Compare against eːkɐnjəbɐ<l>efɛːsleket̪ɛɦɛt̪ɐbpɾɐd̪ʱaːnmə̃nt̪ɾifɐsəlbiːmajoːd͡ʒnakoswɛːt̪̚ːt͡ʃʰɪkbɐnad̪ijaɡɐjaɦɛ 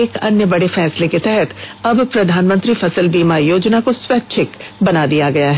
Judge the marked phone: incorrect: ɽ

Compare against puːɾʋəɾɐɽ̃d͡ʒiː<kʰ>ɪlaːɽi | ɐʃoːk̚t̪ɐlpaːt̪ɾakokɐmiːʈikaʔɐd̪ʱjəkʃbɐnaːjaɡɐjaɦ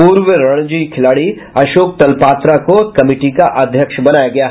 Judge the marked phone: correct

